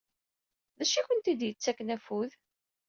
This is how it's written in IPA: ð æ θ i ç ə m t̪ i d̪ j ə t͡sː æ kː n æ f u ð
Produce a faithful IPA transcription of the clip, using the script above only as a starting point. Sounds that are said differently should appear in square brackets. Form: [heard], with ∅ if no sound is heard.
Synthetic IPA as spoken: ð æ [ʃ] i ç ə [n] t̪ i d̪ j ə t͡sː æ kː n æ f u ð